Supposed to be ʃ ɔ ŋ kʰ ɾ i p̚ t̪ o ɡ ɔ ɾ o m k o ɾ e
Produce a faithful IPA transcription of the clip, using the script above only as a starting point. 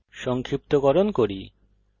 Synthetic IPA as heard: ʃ ɔ ŋ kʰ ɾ i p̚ t̪ o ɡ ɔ ɾ o n k o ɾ i